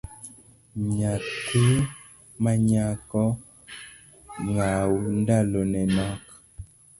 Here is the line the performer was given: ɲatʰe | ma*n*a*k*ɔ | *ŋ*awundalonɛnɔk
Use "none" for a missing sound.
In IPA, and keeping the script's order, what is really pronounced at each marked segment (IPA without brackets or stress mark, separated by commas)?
ɲ, k, ŋ